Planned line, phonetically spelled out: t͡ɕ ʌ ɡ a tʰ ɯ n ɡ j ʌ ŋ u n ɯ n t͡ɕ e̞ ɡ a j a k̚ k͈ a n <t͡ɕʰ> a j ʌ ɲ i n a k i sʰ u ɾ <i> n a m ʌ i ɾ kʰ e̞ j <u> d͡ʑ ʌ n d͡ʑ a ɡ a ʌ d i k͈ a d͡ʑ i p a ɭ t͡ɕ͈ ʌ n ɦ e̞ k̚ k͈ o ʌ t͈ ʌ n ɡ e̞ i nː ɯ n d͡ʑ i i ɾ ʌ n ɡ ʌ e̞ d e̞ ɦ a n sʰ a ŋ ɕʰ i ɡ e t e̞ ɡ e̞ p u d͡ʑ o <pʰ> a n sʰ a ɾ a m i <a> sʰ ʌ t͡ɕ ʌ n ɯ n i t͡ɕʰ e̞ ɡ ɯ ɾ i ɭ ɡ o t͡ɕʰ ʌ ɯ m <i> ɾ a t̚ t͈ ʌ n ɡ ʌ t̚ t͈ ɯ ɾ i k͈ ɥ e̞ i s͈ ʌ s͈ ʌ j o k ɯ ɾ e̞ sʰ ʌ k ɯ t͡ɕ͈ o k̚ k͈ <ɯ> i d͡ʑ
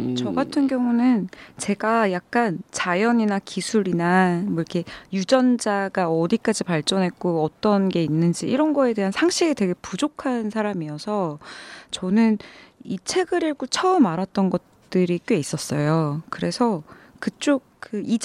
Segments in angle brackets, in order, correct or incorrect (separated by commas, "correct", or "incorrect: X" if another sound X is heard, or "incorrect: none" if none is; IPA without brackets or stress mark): incorrect: t͡ɕ, correct, correct, incorrect: kʰ, incorrect: ʌ, incorrect: a, correct